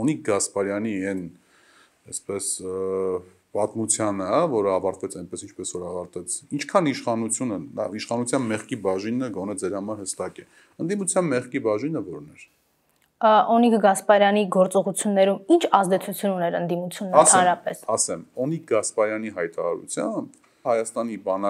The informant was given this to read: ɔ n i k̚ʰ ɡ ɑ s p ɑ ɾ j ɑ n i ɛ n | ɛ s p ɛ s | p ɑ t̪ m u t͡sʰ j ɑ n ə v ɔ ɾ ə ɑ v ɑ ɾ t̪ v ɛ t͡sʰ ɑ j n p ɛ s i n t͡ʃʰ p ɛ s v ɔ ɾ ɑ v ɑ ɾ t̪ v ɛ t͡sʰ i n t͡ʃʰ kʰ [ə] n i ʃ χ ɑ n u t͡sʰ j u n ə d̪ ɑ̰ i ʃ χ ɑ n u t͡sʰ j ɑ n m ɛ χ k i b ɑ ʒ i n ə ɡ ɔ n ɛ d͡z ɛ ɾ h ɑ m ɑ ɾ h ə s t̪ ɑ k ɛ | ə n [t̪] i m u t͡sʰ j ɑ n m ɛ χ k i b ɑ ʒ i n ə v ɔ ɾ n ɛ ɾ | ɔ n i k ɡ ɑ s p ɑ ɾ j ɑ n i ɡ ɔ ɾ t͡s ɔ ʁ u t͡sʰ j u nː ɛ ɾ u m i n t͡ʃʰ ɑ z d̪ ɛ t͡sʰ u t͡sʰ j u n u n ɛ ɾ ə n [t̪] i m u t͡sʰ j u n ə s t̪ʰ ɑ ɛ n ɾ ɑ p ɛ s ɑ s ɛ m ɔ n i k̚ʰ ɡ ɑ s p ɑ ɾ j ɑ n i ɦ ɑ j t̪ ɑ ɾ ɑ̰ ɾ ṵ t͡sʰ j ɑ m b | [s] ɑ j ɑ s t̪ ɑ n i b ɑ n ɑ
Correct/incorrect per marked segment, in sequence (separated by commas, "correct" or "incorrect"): incorrect, incorrect, incorrect, incorrect